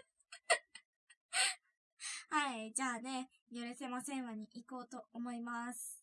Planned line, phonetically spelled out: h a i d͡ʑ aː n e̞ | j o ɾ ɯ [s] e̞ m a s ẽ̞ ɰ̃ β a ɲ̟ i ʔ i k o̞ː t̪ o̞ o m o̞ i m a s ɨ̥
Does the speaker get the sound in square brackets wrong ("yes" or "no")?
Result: no